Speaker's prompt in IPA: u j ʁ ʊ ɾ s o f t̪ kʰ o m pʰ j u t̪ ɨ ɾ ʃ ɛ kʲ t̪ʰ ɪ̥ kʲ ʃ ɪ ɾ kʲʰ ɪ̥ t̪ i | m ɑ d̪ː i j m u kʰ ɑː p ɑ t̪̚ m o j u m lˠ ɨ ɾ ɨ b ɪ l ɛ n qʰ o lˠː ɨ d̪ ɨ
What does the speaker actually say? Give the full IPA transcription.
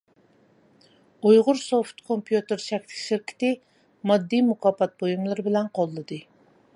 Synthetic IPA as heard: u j ʁ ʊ ɾ s o f t̪ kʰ o m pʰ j u t̪ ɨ ɾ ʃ ɛ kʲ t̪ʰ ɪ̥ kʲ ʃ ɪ ɾ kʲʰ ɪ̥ t̪ ɪ | m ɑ d̪ː i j m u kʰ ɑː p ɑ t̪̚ b o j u m lˠ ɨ ɾ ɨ b ɪ l ɛ n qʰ o lˠː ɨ d̪ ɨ

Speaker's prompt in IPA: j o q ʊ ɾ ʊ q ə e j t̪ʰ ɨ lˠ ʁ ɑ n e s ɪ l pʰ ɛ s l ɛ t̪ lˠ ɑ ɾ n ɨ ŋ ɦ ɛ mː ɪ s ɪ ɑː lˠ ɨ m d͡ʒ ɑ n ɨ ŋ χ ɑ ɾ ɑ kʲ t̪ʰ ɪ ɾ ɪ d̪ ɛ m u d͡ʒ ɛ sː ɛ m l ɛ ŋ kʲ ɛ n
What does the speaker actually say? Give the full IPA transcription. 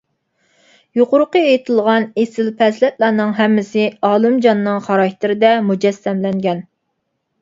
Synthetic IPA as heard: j o q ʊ ɾ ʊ q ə e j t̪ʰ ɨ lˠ ʁ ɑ n e s ɪ l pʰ ɛ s l ɛ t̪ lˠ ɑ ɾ n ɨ ŋ ɦ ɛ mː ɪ s ɪ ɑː lˠ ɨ m d͡ʒ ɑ nː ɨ ŋ χ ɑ ɾ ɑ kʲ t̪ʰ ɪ ɾ ɪ d̪ ɛ m u d͡ʒ ɛ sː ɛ m l ɛ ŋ ɡʲ ɛ n

